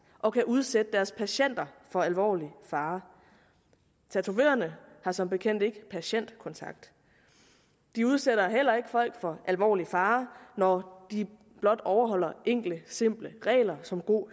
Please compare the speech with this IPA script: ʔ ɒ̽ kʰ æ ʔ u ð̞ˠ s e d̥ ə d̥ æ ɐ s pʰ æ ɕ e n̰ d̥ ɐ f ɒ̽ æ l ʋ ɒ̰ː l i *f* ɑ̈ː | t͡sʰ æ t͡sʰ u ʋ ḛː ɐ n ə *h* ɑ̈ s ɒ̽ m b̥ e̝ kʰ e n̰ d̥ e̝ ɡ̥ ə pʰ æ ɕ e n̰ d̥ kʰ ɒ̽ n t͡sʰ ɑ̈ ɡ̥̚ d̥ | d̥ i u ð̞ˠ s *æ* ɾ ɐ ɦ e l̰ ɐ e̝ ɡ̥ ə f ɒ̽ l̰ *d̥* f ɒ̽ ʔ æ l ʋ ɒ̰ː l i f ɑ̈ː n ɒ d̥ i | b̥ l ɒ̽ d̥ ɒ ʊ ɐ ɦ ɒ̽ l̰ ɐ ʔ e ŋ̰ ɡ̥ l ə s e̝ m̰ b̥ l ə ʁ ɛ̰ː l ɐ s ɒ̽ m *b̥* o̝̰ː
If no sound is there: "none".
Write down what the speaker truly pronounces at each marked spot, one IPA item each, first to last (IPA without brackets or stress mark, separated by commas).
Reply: f, h, e, ɡ̥, ɡ̥